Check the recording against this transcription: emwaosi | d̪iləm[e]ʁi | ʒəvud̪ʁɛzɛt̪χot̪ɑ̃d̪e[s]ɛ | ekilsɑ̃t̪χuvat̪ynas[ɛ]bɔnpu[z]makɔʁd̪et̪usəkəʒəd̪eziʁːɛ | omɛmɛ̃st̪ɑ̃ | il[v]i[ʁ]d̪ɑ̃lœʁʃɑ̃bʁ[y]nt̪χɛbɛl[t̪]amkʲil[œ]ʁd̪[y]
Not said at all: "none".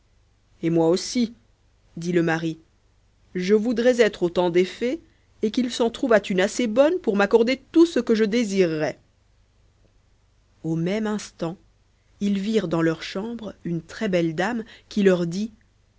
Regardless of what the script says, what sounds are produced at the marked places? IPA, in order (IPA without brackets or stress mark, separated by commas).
a, f, e, ʁ, v, ʁ, y, d̪, œ, i